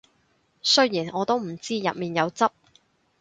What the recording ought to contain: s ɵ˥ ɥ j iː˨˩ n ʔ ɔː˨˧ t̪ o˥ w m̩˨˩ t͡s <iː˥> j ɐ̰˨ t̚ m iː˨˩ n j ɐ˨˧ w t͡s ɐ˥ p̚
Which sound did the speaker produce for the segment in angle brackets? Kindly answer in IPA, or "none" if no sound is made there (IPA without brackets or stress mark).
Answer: iː˥